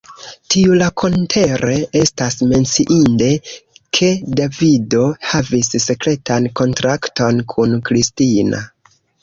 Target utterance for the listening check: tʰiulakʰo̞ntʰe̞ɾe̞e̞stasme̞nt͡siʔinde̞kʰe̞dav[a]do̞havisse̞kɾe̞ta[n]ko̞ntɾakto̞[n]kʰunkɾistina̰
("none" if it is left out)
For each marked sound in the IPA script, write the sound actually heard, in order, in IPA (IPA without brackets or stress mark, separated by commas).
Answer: i, n, n